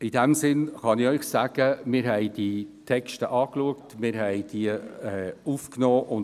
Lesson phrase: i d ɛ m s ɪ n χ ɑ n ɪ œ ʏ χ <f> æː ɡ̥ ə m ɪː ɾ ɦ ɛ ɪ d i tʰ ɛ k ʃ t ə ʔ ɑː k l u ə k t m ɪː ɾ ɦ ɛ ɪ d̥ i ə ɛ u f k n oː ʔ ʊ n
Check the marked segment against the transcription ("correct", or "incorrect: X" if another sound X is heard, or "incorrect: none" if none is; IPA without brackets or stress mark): incorrect: s